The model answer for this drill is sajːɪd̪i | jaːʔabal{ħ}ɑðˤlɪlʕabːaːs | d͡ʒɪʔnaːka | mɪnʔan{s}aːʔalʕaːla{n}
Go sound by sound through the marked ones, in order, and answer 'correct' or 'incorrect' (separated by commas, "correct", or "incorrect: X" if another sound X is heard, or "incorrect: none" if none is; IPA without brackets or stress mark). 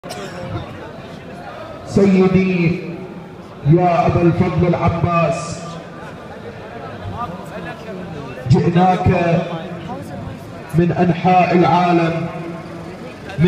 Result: incorrect: f, incorrect: ħ, incorrect: m